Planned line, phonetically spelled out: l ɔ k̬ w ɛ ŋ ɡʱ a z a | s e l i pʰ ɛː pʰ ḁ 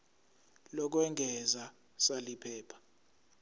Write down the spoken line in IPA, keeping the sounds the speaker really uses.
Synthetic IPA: l ɔ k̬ w ɛ ŋ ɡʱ ɛ z a | s a l i pʰ ɛː pʰ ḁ